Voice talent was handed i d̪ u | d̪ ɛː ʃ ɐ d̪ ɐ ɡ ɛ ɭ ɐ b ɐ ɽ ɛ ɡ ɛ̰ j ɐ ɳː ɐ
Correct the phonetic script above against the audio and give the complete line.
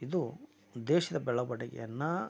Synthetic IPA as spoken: i d̪ u | d̪ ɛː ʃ ɐ d̪ ɐ b ɛ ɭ ɐ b ɐ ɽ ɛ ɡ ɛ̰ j ɐ nː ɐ